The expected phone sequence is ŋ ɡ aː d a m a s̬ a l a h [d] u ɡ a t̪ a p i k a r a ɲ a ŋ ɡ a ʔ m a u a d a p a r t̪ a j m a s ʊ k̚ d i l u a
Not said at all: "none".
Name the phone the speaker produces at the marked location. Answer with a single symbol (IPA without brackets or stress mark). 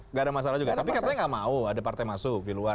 d͡ʒ